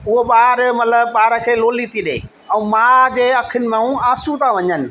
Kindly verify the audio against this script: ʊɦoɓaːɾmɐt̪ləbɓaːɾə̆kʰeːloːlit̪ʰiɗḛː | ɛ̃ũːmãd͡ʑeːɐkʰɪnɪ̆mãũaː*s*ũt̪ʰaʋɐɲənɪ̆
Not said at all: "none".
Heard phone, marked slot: s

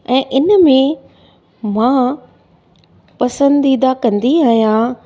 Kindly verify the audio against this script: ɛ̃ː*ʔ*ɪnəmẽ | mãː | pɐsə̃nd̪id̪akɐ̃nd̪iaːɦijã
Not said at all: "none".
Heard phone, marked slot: ʔ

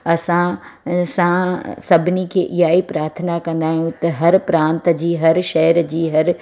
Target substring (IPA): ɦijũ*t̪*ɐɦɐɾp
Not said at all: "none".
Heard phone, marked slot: t̪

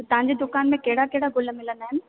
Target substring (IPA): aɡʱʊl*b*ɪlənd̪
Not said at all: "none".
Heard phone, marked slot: m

